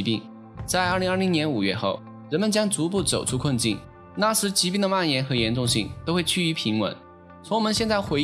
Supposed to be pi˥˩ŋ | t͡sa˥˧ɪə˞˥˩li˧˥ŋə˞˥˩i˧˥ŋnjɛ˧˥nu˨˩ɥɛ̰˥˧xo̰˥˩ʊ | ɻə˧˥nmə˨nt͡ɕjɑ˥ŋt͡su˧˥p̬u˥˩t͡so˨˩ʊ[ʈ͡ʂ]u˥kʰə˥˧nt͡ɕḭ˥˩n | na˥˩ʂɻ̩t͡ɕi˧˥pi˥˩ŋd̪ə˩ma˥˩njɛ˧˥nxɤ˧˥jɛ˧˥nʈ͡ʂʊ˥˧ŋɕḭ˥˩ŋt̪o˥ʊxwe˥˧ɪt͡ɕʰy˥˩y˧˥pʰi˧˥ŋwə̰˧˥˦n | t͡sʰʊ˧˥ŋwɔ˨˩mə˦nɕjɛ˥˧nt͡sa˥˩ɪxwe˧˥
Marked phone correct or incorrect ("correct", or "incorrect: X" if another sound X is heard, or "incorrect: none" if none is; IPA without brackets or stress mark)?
incorrect: ʈ͡ʂʰ